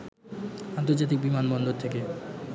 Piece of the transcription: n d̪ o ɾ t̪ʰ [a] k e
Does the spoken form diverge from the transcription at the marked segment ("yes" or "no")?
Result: yes